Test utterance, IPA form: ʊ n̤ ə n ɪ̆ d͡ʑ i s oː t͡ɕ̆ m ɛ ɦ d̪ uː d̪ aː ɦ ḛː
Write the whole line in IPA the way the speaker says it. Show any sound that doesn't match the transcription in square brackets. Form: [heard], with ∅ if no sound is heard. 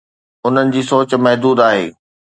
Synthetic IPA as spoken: ʊ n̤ ə n ɪ̆ d͡ʑ [iː] s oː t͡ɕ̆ m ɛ ɦ d̪ uː d̪ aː ɦ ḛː